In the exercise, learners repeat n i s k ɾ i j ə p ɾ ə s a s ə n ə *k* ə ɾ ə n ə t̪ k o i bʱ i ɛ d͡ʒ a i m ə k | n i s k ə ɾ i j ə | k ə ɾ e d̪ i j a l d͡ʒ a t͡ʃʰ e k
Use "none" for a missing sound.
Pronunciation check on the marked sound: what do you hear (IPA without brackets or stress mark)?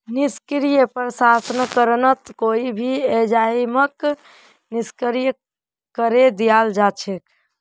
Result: k